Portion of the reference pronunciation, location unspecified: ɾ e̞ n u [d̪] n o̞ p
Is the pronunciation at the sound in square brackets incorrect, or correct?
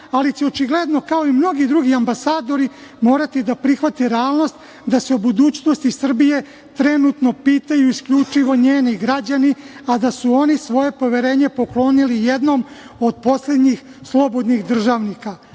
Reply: incorrect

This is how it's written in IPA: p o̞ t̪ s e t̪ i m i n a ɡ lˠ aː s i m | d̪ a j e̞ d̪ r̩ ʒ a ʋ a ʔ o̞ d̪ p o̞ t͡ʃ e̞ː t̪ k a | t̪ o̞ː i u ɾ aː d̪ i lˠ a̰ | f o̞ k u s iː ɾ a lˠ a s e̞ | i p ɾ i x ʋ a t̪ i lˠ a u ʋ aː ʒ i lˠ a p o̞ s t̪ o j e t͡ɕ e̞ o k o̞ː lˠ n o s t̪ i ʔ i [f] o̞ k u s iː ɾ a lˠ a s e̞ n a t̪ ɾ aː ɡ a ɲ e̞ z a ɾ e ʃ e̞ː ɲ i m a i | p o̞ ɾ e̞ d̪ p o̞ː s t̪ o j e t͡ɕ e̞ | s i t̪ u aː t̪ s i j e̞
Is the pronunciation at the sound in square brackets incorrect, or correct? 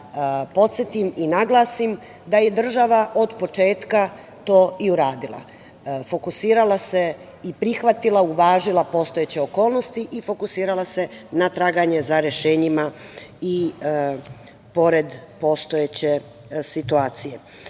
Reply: correct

